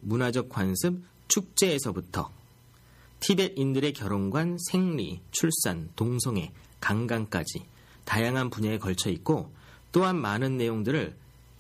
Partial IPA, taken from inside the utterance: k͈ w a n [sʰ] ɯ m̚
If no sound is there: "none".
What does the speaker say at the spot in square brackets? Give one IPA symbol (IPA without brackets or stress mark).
sʰ